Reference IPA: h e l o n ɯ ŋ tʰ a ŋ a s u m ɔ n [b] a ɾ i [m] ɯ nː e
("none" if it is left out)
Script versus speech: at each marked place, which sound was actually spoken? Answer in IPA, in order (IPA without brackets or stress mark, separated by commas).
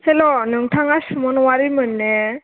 w, m